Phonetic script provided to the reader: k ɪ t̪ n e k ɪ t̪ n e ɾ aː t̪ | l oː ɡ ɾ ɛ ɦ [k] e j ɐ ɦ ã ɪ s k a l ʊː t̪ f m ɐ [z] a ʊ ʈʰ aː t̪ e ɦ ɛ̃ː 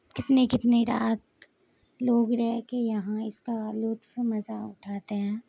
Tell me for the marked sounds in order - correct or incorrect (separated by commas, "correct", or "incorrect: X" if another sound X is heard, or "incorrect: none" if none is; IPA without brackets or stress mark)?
correct, correct